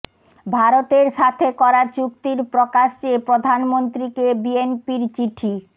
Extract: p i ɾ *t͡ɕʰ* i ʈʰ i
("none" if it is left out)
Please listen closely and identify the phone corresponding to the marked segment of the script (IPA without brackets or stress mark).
t͡ɕ